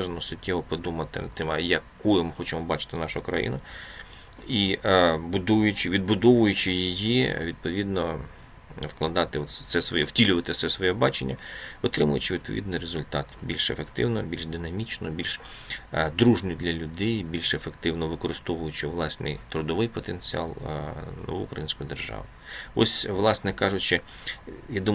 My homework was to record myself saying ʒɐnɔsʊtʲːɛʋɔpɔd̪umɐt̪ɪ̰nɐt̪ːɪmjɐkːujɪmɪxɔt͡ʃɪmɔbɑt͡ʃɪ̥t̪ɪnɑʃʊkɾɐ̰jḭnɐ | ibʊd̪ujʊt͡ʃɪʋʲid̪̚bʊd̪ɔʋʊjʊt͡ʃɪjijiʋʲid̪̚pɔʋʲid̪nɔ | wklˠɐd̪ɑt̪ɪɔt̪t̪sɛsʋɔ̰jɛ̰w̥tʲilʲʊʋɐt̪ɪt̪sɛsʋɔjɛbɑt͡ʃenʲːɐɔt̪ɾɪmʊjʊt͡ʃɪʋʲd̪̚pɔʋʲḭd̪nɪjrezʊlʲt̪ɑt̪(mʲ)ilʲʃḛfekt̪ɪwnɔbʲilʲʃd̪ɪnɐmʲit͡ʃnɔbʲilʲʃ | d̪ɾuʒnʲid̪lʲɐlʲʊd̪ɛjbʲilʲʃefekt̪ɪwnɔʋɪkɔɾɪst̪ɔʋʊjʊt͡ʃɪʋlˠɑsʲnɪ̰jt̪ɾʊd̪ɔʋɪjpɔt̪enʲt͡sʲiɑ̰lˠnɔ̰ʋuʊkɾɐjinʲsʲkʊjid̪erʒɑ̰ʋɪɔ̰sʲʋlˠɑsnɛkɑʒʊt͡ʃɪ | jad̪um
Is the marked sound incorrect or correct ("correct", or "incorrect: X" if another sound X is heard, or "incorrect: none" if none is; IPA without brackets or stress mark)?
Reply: incorrect: bʲ